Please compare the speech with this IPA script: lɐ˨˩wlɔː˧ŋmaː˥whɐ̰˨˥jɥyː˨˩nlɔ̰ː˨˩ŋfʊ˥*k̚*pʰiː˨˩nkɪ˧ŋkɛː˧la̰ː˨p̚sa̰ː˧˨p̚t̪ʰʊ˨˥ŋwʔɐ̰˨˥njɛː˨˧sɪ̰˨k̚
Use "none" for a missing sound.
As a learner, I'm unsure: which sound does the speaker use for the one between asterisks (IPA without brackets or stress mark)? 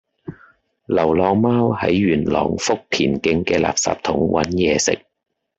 k̚